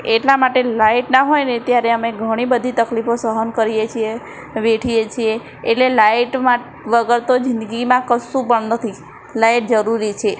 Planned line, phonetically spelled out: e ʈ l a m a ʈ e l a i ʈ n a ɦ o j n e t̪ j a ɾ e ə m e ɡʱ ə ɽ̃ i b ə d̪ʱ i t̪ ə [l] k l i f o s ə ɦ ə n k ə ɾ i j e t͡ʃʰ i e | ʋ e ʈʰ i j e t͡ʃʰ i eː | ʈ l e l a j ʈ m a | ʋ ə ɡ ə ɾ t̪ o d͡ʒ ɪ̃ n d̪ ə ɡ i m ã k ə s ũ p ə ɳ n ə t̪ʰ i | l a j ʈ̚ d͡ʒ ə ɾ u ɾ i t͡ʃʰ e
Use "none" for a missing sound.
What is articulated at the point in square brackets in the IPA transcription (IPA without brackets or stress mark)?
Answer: none